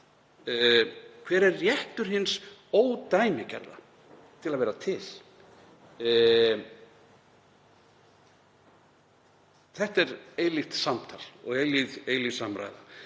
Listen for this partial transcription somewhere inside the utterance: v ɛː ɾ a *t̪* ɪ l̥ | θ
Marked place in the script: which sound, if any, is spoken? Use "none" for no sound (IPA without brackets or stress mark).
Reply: t̪ʰ